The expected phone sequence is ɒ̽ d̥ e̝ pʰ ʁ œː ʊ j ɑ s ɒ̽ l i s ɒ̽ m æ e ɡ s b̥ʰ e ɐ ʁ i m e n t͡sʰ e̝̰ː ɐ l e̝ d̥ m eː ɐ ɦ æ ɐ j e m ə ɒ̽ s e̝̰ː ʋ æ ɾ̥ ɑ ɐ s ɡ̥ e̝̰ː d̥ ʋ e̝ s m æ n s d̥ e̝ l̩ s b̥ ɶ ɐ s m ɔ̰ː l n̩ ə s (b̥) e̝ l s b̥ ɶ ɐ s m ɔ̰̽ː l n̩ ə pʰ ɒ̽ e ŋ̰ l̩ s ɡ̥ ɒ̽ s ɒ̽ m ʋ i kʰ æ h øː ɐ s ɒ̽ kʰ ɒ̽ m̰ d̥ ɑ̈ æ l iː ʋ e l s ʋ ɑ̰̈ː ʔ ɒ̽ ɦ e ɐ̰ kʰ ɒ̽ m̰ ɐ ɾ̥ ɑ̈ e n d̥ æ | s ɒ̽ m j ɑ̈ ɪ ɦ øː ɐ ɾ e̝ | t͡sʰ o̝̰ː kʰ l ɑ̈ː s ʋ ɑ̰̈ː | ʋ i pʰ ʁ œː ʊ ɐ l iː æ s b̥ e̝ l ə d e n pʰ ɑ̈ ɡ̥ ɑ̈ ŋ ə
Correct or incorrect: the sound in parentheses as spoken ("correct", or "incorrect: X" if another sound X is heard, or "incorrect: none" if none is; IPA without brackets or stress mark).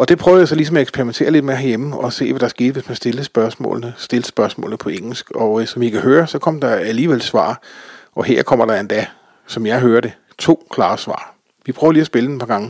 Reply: incorrect: d̥